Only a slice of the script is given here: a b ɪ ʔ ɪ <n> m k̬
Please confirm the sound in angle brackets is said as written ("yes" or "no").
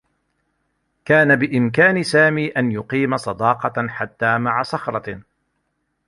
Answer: no